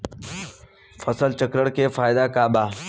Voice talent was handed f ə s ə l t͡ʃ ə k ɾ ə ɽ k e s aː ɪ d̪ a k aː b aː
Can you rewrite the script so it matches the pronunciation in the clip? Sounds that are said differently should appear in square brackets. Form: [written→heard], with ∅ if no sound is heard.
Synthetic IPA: f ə s ə l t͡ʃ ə k ɾ ə ɽ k e [s→f] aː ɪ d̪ a k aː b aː